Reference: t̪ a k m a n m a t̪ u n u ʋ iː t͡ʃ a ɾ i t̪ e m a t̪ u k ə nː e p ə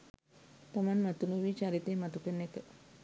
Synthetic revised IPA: t̪ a m a n m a t̪ u n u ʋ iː t͡ʃ a ɾ i t̪ e m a t̪ u k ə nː e k ə